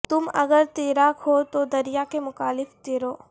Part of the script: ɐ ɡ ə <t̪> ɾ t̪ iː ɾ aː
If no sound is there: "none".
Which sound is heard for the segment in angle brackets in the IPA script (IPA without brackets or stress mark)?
none